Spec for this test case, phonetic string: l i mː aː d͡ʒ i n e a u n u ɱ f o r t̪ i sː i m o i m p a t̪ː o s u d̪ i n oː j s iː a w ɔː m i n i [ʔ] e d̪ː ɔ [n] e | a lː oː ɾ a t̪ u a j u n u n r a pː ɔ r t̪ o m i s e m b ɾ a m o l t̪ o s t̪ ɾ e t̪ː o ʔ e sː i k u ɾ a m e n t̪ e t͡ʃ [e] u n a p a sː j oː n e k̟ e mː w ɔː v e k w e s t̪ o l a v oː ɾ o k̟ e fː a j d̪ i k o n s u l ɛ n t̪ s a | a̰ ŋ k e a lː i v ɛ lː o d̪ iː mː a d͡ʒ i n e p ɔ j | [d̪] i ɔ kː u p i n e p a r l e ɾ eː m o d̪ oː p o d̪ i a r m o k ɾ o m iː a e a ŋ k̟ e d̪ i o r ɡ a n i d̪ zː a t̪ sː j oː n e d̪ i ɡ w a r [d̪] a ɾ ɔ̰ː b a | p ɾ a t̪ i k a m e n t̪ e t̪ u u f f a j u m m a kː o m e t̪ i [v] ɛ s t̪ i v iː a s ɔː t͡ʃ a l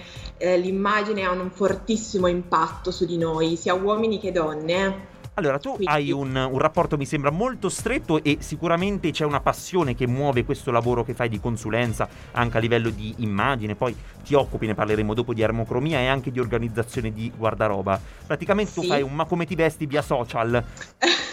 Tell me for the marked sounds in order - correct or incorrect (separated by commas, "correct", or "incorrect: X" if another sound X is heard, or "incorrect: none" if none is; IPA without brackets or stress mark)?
incorrect: k, incorrect: nː, incorrect: ɛ, incorrect: t̪, correct, correct